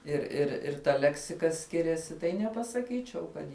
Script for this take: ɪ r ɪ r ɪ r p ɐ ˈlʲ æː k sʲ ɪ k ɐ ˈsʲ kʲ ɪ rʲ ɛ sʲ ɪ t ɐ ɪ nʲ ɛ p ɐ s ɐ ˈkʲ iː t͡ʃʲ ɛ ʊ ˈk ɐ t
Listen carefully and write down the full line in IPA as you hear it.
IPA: ɪ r ɪ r ɪ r t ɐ ˈlʲ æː k sʲ ɪ k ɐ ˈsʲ kʲ ɪ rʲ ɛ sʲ ɪ t ɐ ɪ nʲ ɛ p ɐ s ɐ ˈkʲ iː t͡ʃʲ ɛ ʊ ˈk ɐ t